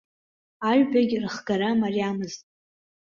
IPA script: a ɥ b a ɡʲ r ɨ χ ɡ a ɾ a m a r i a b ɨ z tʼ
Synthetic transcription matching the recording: a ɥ b a ɡʲ r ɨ χ ɡ a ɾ a m a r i a m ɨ z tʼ